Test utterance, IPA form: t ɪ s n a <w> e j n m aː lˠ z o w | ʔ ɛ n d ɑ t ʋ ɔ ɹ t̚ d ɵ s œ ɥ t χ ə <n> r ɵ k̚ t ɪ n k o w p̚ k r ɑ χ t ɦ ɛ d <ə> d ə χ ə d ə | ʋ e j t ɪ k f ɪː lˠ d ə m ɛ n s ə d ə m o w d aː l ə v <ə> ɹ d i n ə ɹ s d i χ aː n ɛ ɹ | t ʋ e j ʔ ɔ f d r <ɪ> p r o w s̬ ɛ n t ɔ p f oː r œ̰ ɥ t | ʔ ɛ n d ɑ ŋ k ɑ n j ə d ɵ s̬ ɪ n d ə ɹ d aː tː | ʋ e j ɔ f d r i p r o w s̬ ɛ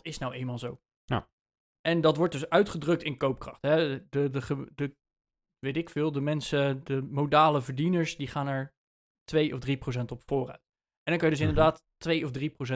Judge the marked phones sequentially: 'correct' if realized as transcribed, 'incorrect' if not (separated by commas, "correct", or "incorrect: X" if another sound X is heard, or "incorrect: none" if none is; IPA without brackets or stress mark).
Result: correct, incorrect: d, correct, correct, incorrect: i